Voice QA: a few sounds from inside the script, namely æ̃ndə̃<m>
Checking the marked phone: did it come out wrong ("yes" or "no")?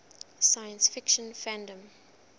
no